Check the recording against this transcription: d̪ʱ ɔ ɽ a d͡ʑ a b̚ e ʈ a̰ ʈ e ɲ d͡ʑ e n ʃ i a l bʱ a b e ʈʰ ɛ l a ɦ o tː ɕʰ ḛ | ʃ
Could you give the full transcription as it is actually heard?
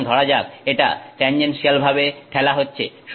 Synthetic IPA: d̪ʱ ɔ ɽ a d͡ʑ a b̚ e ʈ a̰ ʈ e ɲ d͡ʑ e n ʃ i a l bʱ a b e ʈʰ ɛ l a ɦ o tː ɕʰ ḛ | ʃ